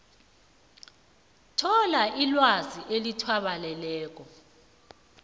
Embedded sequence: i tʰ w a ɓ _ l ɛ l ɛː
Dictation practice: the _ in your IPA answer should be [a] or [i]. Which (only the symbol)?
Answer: a